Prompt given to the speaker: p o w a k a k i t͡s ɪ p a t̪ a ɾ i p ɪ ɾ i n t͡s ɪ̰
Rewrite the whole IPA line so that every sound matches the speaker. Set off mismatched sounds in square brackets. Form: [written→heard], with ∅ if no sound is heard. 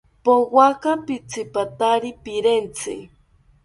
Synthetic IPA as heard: p o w a k a [k→p] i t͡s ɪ p a t̪ a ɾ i p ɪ ɾ [i→e] n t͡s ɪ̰